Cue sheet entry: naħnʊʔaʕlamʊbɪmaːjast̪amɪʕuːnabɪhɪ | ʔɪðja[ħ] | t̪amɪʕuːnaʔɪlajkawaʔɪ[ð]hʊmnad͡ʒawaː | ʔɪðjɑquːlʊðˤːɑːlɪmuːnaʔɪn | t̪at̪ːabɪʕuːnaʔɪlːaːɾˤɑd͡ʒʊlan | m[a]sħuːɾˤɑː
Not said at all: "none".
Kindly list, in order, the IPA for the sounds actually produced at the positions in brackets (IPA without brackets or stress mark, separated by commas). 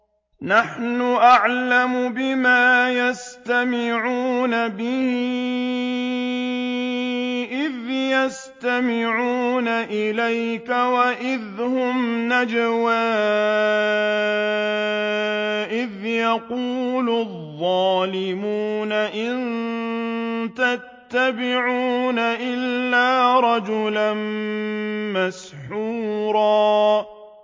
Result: s, ð, a